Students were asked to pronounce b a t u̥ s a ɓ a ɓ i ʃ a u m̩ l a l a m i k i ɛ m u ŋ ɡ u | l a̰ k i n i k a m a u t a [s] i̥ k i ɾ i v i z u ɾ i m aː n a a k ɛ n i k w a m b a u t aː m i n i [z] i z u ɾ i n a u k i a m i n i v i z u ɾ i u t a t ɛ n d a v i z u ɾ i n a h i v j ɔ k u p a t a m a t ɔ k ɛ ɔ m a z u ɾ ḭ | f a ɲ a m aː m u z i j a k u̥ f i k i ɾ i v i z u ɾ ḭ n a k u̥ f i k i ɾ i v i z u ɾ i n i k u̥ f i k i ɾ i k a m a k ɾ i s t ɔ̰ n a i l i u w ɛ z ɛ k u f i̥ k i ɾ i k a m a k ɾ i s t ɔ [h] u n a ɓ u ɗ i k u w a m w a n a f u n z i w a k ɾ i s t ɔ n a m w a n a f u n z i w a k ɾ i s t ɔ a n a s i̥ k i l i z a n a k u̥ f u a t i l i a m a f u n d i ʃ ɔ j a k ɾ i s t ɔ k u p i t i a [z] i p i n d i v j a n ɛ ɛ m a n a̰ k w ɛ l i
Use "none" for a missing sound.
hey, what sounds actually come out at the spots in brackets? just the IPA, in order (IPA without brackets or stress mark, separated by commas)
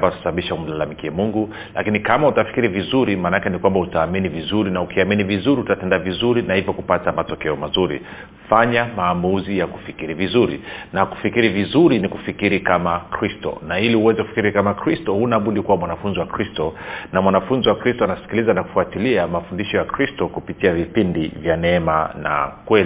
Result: f, v, h, v